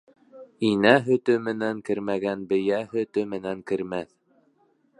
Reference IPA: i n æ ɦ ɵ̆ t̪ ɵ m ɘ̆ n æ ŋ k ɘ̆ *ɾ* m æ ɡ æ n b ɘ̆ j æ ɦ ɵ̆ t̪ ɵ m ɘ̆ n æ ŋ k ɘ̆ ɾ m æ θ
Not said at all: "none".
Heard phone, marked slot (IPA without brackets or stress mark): ɾ